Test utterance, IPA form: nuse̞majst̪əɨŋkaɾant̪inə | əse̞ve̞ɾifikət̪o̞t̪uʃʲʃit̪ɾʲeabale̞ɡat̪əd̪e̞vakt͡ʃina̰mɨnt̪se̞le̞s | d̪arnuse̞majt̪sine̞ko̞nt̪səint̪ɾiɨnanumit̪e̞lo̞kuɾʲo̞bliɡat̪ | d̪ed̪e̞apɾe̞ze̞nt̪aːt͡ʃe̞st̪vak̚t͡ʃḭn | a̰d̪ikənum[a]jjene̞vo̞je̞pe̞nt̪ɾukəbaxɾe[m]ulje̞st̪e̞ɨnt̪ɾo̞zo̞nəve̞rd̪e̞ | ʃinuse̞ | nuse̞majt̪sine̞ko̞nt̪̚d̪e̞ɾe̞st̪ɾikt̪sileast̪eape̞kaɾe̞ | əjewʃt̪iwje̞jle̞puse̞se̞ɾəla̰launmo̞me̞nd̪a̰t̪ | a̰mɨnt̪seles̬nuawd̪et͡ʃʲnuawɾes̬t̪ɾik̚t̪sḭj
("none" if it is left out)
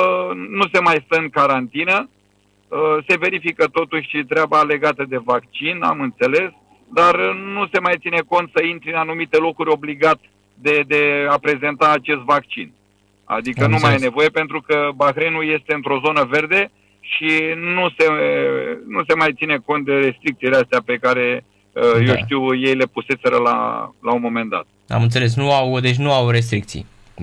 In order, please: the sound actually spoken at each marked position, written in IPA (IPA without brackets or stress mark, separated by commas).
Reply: a, n